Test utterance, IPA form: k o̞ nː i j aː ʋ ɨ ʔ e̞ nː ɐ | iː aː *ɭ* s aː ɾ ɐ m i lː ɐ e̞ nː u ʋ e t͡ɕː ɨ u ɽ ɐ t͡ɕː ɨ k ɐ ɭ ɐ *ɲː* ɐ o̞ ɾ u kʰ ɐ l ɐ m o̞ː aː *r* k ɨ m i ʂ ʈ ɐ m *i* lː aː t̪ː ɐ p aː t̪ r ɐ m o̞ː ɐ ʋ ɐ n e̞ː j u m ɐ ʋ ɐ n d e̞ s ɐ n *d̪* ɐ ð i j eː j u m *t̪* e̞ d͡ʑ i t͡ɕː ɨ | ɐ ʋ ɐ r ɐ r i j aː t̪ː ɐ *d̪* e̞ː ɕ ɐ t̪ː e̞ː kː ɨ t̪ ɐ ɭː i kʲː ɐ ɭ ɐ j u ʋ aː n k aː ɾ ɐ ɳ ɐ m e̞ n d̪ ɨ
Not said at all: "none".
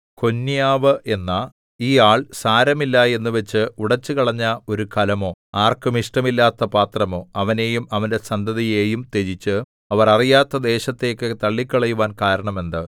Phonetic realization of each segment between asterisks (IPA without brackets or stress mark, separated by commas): ɭ, ɲː, r, i, d̪, t̪, d̪